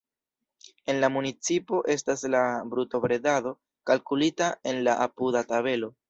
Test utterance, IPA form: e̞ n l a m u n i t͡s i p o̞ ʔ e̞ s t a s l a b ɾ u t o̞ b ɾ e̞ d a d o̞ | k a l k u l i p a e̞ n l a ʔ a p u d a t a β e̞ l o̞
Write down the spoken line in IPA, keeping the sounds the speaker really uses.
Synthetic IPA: e̞ n l a m u n i t͡s i p o̞ ʔ e̞ s t a s l a b ɾ u t o̞ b ɾ e̞ d a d o̞ | k a l k u l i t a e̞ n l a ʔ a p u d a t a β e̞ l o̞